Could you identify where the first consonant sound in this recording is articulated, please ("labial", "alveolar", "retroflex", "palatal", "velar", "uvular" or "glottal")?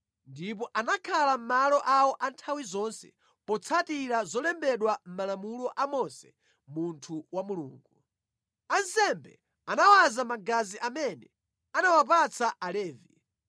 alveolar